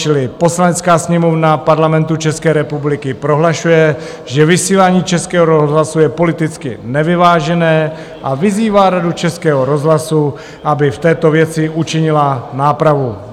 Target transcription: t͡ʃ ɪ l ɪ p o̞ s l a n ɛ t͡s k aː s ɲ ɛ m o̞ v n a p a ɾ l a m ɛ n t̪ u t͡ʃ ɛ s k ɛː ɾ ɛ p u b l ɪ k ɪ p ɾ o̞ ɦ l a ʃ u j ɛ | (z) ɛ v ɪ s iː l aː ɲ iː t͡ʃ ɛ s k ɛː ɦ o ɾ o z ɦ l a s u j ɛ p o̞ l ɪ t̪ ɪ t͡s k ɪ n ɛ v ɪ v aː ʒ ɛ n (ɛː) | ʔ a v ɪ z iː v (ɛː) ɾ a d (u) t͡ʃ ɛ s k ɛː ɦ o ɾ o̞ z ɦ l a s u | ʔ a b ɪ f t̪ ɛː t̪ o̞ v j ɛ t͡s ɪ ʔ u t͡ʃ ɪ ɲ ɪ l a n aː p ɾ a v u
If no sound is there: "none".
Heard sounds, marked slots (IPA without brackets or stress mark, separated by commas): ʒ, ɛː, aː, u